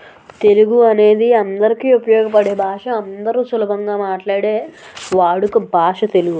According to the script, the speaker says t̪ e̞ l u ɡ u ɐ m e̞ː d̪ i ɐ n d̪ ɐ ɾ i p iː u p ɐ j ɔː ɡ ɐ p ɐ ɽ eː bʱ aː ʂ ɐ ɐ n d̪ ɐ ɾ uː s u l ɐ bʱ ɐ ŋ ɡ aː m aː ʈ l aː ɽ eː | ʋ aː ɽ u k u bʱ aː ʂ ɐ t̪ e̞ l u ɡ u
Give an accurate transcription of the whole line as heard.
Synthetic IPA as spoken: t̪ e̞ l u ɡ u ɐ n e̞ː d̪ i ɐ n d̪ ɐ ɾ i k iː u p ɐ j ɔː ɡ ɐ p ɐ ɽ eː bʱ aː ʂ ɐ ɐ n d̪ ɐ ɾ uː s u l ɐ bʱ ɐ ŋ ɡ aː m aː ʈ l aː ɽ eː | ʋ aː ɽ u k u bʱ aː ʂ ɐ t̪ e̞ l u ɡ u